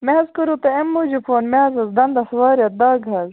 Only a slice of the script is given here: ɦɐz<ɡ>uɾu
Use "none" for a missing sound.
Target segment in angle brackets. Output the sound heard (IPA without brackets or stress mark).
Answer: k